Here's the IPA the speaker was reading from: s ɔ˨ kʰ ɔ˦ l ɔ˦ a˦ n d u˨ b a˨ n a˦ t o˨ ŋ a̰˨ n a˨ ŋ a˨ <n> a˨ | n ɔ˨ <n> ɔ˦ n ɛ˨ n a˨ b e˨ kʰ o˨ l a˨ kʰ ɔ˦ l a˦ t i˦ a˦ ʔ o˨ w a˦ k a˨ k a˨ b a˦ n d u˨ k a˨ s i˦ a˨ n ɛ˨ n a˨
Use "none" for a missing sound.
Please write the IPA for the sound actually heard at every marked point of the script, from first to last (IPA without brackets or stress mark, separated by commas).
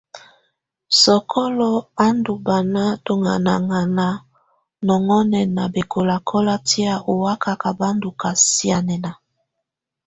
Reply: n, ŋ